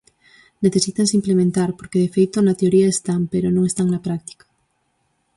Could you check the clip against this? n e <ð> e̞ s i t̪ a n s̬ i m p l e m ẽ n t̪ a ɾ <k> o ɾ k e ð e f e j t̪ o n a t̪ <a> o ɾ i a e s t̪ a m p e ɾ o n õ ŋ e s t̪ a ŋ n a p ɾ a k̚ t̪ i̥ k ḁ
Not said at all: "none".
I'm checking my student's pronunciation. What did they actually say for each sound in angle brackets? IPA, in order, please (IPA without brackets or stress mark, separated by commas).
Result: θ, p, e